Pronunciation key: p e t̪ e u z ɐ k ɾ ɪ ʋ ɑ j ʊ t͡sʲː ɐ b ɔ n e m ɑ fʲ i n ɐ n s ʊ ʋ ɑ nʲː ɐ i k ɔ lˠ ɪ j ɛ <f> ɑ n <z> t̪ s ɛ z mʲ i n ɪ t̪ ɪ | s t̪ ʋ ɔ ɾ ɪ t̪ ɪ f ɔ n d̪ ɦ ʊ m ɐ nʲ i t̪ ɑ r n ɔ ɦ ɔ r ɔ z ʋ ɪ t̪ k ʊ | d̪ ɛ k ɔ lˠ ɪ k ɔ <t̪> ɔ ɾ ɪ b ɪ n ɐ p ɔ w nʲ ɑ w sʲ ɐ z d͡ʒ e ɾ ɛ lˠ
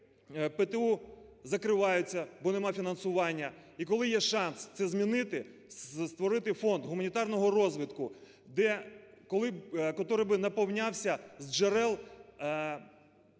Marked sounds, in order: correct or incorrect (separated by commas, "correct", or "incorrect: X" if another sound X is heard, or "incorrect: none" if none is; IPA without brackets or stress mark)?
incorrect: ʃ, incorrect: s, correct